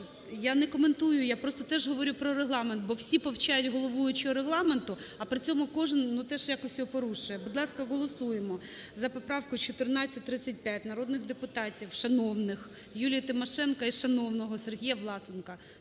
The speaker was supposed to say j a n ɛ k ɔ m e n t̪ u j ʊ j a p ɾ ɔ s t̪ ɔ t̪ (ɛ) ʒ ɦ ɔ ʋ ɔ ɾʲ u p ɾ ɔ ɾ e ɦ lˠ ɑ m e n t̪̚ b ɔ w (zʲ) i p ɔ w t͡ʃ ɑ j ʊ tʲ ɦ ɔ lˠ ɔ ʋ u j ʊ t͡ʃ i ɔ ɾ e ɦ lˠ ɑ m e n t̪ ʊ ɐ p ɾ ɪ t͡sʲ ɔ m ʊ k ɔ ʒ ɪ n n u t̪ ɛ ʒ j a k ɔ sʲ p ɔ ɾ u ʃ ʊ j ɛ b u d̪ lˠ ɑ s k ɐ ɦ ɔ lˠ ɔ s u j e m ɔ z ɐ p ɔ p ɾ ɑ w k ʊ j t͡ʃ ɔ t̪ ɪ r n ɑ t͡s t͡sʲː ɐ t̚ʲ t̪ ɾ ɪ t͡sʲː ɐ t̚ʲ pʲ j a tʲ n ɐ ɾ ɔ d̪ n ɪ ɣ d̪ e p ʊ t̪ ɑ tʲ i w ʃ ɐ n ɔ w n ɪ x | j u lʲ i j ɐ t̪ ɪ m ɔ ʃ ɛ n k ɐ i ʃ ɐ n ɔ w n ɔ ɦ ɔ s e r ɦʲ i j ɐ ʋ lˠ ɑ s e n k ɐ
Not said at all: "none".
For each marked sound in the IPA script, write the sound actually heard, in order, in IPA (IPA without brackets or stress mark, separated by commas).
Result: ɛ, sʲ